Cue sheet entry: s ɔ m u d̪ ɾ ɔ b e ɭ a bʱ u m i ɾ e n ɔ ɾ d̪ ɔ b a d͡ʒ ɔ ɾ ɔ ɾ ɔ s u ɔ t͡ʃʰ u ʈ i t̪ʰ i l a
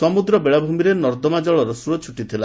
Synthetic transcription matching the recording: s ɔ m u d̪ ɾ ɔ b e ɭ a bʱ u m i ɾ e n ɔ ɾ d̪ ɔ m a d͡ʒ ɔ ɭ ɔ ɾ ɔ s u ɔ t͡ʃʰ u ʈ i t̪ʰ i l a